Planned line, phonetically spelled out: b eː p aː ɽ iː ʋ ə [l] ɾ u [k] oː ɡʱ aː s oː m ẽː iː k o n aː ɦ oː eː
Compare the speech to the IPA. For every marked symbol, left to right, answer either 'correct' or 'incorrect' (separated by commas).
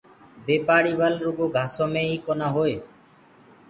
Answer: correct, incorrect